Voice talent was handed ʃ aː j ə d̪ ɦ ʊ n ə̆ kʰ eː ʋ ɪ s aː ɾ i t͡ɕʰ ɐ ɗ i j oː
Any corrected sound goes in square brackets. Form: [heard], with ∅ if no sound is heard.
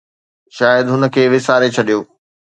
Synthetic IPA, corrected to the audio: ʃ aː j ə d̪ ɦ ʊ n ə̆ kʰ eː ʋ ɪ s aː ɾ [e] t͡ɕʰ ɐ ɗ i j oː